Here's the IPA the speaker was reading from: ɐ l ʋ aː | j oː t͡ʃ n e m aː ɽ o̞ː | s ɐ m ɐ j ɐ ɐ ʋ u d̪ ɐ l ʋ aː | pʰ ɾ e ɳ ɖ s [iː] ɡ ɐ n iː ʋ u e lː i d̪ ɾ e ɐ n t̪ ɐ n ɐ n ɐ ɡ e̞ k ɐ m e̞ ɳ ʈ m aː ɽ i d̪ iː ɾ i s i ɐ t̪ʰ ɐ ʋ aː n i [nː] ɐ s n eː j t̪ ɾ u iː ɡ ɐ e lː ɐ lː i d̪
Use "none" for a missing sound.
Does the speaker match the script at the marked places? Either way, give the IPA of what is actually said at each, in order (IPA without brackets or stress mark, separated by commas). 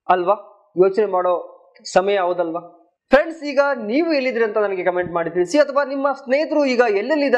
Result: iː, mː